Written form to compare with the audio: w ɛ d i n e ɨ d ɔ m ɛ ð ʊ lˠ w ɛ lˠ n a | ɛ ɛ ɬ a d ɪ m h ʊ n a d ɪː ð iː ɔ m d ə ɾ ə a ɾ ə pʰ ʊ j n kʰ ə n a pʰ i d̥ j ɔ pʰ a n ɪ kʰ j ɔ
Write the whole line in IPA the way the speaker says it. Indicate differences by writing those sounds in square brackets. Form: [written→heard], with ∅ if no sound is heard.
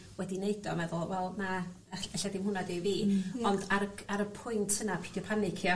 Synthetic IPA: w ɛ d i n e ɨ d ɔ m ɛ ð ʊ lˠ w ɛ lˠ n a | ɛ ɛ ɬ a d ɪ m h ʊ n a d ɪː [ð→v] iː ɔ [m→n] d [ə→a] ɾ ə a ɾ ə pʰ ʊ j n [kʰ→tʰ] ə n a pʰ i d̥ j ɔ pʰ a n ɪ kʰ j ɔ